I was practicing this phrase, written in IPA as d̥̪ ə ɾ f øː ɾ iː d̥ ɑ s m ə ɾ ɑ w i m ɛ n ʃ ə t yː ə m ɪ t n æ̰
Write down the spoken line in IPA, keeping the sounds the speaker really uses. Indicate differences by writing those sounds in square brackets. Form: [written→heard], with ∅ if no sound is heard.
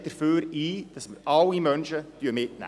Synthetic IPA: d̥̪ ə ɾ f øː ɾ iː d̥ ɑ s m ə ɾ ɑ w i m [ɛ→œ] n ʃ ə t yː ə m ɪ t n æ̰